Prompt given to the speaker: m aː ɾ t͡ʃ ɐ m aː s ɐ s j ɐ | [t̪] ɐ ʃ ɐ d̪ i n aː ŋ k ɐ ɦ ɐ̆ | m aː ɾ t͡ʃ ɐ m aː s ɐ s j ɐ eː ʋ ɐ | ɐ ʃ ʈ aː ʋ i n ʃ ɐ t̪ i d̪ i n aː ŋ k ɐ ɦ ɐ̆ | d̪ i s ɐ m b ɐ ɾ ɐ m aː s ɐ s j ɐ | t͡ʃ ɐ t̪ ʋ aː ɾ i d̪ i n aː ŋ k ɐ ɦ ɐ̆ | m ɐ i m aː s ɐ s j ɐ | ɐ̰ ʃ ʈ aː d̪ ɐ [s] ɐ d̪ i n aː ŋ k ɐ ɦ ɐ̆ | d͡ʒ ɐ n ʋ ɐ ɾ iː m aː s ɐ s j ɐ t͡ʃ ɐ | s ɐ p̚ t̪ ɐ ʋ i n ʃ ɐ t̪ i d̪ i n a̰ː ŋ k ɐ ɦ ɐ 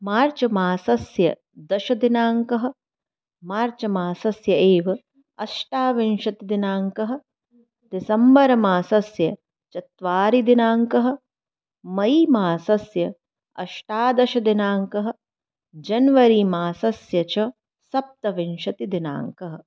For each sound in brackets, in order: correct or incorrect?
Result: incorrect: d̪, incorrect: ʃ

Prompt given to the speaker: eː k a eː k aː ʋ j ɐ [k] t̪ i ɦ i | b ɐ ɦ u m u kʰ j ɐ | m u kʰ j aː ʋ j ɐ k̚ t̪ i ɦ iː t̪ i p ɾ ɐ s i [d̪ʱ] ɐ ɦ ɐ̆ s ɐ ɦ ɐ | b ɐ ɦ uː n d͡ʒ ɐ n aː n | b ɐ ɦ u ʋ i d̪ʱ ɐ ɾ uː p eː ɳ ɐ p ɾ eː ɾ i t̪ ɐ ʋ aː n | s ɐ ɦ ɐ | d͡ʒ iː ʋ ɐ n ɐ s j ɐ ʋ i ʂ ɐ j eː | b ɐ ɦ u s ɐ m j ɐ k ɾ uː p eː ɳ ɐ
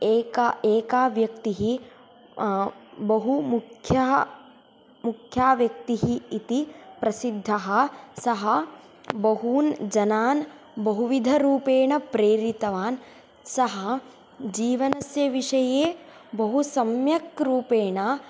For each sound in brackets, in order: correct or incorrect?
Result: correct, incorrect: d̪ʱː

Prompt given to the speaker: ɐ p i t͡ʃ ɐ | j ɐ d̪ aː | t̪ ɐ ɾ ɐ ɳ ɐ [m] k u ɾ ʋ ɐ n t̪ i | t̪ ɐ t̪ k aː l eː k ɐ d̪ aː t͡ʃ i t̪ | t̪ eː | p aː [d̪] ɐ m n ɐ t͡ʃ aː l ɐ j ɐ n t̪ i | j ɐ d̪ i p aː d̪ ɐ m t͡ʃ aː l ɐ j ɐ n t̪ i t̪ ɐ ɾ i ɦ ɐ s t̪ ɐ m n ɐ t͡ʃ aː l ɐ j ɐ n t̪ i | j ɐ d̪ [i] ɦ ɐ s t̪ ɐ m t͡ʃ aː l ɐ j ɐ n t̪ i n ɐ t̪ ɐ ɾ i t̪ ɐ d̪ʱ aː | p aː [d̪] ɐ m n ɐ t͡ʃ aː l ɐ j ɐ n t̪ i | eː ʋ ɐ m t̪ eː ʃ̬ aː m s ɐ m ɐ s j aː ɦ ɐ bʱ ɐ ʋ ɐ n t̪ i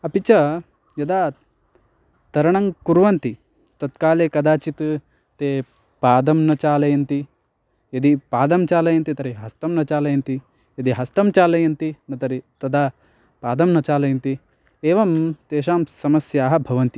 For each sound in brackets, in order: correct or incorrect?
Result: incorrect: ŋ, correct, correct, correct

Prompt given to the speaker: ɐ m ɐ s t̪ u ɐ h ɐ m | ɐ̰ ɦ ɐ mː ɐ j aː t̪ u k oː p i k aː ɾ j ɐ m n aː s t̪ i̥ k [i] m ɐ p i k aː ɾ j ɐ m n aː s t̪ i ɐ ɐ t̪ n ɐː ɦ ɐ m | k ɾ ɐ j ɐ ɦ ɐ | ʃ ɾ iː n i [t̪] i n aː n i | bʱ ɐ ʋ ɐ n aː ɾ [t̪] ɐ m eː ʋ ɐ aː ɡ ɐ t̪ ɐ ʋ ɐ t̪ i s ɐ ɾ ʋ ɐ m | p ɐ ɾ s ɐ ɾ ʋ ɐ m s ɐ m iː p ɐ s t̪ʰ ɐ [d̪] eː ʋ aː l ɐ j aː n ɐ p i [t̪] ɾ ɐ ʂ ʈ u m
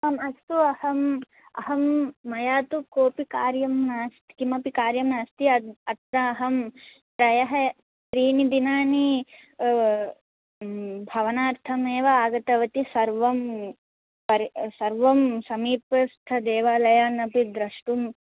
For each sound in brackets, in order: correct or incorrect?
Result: correct, incorrect: d̪, incorrect: t̪ʰ, correct, incorrect: d̪

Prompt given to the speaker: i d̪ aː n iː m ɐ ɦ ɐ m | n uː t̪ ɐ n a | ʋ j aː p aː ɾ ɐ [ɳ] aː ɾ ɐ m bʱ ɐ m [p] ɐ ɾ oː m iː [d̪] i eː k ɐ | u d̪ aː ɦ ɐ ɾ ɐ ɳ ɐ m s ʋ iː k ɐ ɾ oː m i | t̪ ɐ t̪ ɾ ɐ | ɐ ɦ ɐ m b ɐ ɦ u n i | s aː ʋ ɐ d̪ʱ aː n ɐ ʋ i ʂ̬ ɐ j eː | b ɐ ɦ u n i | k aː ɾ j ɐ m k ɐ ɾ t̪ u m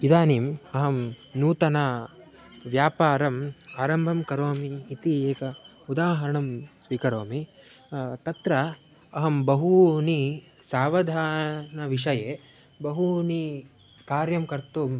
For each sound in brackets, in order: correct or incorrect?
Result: incorrect: m, incorrect: k, incorrect: t̪

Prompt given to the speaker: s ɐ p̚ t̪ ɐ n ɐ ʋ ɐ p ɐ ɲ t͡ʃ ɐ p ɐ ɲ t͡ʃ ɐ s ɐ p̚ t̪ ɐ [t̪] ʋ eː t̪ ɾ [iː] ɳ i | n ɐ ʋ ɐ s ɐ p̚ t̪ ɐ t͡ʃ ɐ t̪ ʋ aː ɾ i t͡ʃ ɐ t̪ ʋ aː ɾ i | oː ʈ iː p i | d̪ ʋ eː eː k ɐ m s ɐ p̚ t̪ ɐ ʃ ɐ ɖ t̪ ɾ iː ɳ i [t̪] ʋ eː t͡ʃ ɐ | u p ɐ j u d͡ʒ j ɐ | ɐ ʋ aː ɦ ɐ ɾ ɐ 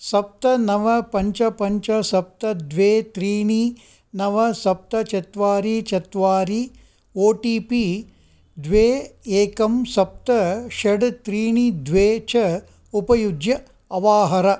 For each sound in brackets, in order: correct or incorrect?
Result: incorrect: d̪, correct, incorrect: d̪

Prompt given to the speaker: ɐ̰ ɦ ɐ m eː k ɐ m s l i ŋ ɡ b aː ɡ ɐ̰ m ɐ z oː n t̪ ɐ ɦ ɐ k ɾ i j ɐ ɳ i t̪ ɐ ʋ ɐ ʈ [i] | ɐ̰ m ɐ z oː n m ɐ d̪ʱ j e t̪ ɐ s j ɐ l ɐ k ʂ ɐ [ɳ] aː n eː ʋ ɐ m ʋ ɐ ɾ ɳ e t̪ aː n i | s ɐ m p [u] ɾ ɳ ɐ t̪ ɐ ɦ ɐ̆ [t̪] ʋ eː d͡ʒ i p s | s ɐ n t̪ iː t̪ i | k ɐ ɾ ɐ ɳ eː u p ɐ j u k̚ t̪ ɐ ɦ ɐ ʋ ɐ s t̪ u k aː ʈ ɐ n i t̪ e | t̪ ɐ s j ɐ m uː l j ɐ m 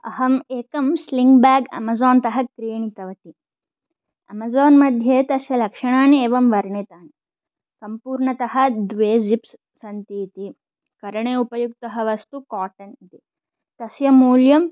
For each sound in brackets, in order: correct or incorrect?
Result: correct, correct, incorrect: uː, incorrect: d̪

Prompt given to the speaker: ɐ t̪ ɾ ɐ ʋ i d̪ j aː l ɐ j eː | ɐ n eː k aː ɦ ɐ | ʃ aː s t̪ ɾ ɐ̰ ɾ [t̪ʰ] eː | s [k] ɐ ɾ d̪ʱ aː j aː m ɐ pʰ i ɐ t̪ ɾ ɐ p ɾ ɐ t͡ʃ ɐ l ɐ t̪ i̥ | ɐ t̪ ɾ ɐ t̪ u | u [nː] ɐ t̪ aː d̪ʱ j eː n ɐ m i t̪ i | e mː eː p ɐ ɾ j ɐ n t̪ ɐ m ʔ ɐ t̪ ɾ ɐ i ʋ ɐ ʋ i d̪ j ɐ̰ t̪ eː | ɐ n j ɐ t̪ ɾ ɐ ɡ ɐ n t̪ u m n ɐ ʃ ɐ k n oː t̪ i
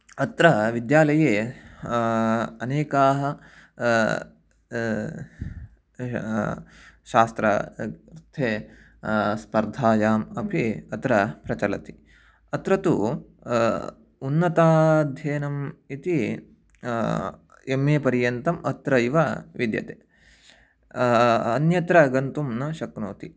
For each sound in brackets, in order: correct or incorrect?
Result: correct, incorrect: p, correct

